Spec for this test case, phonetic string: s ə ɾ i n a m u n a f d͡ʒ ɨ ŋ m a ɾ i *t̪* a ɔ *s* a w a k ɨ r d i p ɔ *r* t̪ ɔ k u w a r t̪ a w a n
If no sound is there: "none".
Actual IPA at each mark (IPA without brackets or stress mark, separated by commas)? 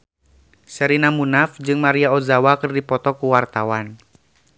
none, z, none